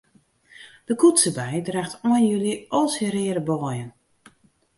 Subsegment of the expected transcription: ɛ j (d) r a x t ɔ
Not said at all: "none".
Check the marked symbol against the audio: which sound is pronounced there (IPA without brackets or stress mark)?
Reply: d